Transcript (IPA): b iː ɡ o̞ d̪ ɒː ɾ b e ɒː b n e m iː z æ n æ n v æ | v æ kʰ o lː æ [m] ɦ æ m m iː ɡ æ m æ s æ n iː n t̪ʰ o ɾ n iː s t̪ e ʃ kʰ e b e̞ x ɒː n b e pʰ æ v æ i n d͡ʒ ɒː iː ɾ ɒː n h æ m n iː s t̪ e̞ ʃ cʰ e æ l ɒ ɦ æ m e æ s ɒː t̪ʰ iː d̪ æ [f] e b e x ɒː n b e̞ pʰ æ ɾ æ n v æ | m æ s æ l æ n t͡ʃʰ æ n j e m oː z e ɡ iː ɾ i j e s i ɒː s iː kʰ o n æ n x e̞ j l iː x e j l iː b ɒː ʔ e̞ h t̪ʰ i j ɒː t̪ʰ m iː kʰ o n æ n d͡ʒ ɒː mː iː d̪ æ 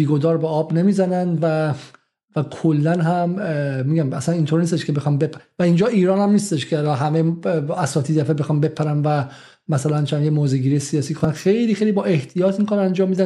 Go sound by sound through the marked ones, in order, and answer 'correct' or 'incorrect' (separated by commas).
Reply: incorrect, correct